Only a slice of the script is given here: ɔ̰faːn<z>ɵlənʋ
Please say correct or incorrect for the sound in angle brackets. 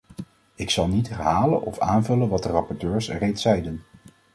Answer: incorrect